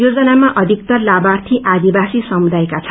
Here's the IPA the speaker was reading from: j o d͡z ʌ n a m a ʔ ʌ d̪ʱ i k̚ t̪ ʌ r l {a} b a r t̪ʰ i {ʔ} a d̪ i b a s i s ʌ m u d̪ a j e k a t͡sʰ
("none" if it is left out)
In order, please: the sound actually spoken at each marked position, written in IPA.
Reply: a, ʔ

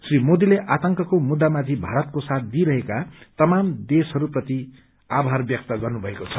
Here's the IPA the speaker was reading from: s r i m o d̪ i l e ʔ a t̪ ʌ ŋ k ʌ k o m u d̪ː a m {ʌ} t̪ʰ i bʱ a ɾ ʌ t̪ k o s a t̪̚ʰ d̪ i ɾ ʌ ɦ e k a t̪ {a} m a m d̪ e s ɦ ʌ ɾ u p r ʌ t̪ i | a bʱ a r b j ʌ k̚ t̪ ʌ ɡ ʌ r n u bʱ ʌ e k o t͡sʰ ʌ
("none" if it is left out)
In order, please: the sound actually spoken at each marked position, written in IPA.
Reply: a, ʌ

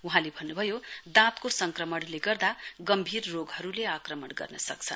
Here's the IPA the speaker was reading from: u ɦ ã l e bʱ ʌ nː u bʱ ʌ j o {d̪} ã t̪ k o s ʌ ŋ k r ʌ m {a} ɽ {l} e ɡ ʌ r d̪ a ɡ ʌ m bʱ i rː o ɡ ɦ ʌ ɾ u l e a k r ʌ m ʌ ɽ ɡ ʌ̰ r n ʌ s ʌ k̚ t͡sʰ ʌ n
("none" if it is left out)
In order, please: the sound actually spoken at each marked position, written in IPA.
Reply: d̪, ʌ, l

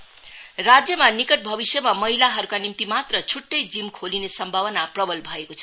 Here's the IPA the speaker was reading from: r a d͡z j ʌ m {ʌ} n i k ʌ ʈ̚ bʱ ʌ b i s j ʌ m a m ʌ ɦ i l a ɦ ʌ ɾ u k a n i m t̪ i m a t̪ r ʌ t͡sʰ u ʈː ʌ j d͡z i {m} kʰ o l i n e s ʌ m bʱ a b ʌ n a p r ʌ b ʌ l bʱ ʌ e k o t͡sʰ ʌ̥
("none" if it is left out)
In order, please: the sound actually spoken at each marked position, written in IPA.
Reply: a, m

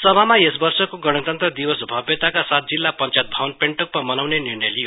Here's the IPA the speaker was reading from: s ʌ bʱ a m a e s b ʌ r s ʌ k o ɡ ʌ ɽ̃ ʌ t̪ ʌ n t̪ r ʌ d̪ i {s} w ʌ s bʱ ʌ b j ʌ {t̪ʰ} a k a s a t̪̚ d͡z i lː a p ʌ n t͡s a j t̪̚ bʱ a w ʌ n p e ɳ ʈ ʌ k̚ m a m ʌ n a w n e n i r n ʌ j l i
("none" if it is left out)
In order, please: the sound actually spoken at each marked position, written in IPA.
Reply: none, t̪

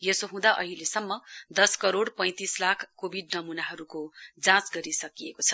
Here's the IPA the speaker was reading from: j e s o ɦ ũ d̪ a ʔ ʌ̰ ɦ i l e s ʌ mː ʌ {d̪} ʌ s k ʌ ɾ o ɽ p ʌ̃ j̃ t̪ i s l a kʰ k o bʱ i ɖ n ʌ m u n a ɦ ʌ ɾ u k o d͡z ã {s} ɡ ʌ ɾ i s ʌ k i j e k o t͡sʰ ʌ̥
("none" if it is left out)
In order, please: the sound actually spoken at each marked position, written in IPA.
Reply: d̪, t͡s

